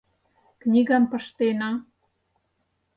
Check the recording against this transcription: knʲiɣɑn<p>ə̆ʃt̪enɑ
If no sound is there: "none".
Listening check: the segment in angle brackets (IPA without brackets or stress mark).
p